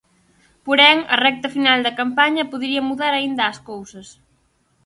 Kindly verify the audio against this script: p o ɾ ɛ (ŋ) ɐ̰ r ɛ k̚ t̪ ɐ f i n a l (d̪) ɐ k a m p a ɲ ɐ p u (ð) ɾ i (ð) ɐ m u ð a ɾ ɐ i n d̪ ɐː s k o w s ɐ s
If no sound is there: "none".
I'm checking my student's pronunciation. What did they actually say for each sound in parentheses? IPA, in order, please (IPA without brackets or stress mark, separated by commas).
ŋ, d̪, ð, none